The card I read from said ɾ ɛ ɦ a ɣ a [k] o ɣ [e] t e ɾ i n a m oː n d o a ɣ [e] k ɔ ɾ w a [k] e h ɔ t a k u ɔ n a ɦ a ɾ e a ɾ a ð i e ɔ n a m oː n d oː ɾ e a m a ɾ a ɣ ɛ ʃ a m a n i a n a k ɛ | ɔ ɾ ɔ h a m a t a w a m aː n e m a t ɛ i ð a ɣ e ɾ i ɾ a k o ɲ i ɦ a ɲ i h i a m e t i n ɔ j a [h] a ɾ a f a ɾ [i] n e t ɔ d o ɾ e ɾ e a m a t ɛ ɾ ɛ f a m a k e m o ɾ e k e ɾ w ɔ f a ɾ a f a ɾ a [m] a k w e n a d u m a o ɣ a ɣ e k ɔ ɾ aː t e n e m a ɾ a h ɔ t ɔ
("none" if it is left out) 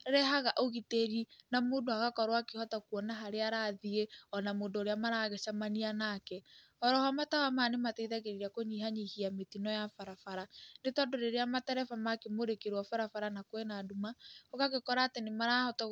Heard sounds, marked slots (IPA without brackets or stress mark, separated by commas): ʔ, i, a, k, f, a, n